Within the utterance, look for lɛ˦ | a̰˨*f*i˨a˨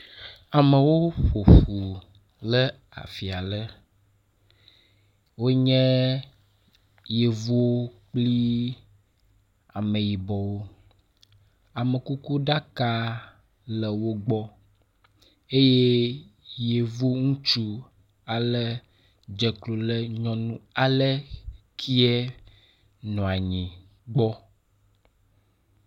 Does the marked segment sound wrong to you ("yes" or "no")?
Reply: no